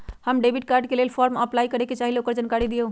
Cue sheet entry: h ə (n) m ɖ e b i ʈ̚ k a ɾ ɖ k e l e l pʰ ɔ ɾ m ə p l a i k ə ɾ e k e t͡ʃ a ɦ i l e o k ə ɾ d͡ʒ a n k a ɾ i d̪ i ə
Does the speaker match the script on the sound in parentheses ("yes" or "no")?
no